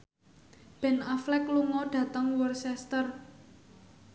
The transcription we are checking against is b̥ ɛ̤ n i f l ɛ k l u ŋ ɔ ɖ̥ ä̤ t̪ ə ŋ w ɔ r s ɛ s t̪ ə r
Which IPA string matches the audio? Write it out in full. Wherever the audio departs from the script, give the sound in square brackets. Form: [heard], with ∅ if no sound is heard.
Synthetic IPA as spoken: b̥ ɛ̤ n [a] f l ɛ k l u ŋ ɔ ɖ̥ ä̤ t̪ ə ŋ w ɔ r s ɛ s t̪ ə r